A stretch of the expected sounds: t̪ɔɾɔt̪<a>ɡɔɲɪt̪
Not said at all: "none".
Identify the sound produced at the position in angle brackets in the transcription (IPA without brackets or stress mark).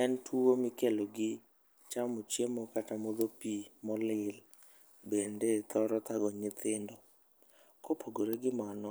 a